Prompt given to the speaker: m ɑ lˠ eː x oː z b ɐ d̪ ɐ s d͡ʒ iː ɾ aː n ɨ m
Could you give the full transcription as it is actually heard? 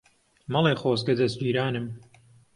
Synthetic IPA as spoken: m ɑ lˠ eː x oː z ɡ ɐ d̪ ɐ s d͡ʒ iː ɾ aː n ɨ m